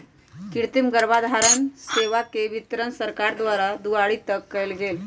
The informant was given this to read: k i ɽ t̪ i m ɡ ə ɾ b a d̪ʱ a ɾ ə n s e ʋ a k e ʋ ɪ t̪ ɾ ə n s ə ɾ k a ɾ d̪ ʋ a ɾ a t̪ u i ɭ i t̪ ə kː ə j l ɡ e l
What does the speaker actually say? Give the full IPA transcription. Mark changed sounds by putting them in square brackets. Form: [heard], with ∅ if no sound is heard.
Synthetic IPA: k i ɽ t̪ i m ɡ ə ɾ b a d̪ʱ a ɾ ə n s e ʋ a k e ʋ [i] t̪ ɾ ə n s ə ɾ k a ɾ d̪ ʋ a ɾ a [d̪] u [a] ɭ i t̪ ə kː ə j l ɡ e l